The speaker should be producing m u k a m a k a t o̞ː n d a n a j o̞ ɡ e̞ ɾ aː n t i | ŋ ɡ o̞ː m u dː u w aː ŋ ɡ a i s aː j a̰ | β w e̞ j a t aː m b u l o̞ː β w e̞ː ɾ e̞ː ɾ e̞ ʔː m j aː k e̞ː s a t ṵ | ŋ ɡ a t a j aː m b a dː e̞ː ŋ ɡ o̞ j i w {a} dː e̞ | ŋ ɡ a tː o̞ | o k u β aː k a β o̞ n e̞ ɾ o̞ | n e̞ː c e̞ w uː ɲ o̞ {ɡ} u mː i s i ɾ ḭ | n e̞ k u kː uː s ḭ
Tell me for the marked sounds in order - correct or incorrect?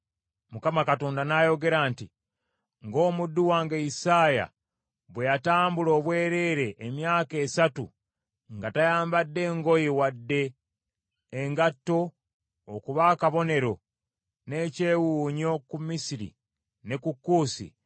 correct, incorrect

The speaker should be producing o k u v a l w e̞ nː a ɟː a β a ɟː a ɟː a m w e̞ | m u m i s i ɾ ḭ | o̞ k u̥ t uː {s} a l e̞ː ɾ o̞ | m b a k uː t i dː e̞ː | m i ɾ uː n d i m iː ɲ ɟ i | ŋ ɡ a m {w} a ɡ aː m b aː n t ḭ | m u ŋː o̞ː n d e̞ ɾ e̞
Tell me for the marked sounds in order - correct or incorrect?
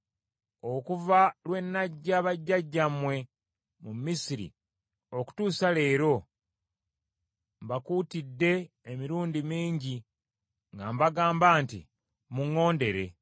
correct, incorrect

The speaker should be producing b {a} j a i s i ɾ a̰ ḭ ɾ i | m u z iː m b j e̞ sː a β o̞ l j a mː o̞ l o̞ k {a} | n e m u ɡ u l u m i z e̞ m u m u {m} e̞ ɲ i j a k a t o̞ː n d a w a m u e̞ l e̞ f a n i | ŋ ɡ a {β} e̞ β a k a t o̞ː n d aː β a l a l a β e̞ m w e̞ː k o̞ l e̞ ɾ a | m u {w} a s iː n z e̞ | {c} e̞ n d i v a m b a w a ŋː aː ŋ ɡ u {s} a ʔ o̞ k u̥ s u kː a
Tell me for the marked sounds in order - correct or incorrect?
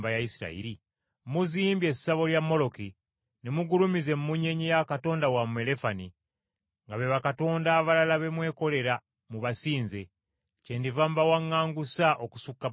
correct, incorrect, incorrect, correct, incorrect, correct, correct

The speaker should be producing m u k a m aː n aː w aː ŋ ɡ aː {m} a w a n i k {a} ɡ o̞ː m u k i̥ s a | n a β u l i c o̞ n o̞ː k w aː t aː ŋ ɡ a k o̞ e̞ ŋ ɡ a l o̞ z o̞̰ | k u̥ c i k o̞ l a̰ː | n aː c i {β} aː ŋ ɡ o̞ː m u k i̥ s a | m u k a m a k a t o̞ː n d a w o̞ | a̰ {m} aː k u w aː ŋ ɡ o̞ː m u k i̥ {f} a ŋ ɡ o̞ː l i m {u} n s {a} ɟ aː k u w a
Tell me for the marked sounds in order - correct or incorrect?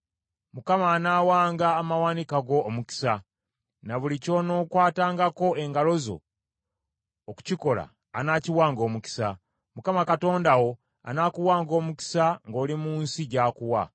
correct, correct, incorrect, incorrect, incorrect, incorrect, incorrect

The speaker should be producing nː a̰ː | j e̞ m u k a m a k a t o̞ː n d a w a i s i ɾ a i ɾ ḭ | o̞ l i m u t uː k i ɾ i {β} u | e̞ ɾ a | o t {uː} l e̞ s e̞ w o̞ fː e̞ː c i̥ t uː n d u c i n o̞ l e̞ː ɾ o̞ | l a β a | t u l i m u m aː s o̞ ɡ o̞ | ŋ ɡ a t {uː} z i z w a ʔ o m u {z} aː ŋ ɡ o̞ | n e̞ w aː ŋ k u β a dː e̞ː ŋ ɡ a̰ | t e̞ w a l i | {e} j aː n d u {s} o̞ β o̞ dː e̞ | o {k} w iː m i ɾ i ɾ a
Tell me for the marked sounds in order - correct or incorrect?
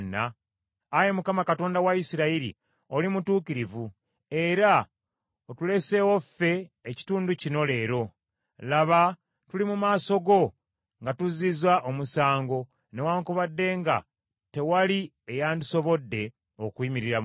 incorrect, incorrect, incorrect, incorrect, correct, correct, correct

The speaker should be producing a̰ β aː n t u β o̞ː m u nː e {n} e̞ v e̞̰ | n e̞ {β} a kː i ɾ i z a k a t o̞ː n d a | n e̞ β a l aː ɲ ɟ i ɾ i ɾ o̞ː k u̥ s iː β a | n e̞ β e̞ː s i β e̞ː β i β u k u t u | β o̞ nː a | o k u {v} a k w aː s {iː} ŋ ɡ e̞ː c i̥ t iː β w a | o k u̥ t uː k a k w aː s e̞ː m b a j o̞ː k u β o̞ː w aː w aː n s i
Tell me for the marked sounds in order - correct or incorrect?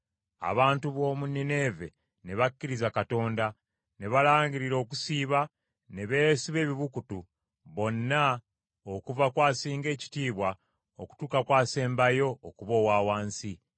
correct, correct, correct, correct

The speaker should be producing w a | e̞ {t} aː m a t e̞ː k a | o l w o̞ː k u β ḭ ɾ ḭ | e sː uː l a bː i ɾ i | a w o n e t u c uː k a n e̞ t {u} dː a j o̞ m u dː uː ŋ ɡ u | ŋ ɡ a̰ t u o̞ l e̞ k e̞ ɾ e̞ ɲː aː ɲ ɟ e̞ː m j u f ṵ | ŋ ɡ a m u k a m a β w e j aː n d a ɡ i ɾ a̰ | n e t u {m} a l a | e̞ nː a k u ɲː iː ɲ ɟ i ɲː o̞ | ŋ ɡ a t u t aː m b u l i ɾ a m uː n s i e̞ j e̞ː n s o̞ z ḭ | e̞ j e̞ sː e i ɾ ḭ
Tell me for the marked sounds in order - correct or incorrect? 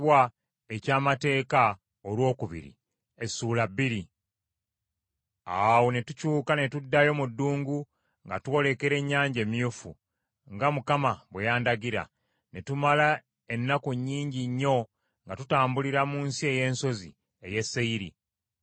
incorrect, correct, correct

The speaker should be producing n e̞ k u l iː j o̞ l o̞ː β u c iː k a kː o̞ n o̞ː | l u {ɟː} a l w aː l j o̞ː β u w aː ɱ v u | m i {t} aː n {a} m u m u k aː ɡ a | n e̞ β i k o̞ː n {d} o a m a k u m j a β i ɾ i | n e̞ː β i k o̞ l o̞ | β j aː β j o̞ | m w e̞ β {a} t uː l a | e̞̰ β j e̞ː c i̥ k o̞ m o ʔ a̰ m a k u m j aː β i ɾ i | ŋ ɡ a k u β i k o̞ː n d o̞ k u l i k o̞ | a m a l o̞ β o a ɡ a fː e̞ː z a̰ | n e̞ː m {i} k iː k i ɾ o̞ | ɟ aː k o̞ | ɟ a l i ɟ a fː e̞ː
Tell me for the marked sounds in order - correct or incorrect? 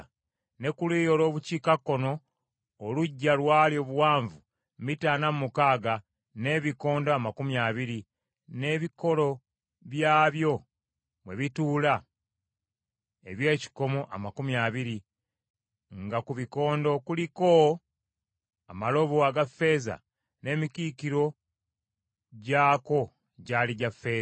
correct, correct, correct, correct, incorrect, correct

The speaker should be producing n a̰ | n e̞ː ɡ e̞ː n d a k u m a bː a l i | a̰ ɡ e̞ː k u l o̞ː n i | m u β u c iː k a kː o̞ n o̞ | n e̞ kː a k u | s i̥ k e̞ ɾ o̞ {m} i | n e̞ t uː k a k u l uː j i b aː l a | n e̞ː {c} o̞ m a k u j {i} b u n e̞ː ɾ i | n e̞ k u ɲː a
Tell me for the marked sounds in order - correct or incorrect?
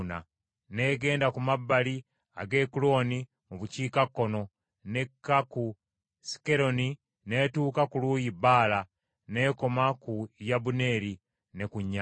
incorrect, incorrect, incorrect

